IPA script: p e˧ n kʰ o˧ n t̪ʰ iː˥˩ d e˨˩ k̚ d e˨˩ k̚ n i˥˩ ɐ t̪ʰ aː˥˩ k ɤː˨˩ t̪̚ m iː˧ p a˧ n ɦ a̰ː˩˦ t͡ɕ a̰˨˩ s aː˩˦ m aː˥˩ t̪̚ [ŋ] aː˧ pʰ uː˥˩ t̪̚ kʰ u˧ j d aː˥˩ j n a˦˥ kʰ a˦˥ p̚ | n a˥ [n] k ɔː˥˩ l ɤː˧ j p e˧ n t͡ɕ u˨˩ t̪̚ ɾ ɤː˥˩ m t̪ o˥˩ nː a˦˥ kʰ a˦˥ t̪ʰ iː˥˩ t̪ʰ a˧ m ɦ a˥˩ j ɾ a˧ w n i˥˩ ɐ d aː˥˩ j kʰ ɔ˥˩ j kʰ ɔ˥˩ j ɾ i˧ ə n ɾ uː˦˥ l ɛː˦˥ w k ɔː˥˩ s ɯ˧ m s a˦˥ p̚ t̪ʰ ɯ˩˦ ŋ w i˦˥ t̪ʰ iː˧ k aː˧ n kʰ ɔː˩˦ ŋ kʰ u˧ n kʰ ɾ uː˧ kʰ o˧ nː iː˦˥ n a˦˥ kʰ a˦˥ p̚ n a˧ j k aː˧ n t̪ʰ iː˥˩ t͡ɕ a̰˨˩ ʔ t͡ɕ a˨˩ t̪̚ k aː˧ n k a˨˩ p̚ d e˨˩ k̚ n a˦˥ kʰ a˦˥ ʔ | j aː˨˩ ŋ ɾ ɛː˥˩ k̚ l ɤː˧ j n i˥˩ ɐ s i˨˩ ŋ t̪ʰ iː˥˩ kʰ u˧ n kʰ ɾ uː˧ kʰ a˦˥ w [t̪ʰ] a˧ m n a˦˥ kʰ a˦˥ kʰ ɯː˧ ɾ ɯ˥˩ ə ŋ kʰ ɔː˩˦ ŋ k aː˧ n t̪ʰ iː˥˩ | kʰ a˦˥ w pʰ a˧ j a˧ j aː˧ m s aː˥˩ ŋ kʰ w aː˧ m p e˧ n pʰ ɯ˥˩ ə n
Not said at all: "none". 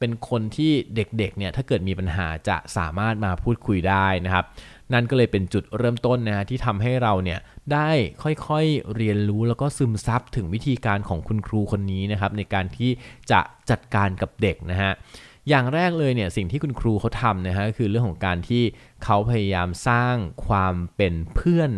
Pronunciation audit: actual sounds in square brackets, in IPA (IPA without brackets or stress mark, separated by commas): m, n, t̪ʰ